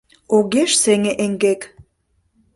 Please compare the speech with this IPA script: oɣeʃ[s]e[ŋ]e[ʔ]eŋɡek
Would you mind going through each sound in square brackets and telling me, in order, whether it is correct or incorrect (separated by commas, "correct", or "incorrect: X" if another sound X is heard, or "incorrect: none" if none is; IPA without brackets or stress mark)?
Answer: correct, correct, correct